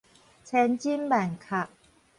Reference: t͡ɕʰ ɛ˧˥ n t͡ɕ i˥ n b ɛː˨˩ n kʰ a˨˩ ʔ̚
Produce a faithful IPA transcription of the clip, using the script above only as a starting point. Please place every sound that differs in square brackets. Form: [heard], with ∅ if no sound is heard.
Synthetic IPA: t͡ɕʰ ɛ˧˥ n t͡ɕ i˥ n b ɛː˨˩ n kʰ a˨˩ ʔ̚